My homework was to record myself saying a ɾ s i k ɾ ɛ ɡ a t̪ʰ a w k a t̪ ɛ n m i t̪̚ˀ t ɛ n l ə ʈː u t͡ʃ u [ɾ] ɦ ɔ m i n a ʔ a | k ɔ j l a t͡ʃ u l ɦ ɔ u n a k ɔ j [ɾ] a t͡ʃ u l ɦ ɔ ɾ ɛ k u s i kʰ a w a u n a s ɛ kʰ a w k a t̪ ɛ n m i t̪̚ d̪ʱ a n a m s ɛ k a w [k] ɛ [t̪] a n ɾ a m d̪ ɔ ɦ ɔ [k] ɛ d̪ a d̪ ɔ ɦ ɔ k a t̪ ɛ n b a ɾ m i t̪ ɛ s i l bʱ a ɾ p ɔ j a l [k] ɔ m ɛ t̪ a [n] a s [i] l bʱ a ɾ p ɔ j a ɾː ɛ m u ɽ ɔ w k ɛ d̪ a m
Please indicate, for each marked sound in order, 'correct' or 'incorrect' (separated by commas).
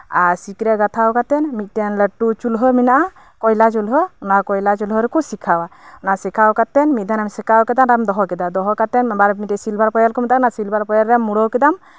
incorrect, incorrect, correct, incorrect, correct, correct, correct, correct